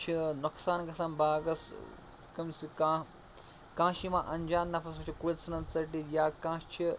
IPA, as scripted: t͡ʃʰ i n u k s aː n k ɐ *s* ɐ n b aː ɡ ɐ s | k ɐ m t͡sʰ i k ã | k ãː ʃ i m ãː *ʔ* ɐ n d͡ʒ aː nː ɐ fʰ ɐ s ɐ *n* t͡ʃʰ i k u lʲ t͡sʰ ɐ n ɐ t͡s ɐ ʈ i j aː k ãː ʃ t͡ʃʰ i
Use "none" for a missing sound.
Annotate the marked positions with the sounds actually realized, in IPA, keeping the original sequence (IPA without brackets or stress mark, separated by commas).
s, ʔ, none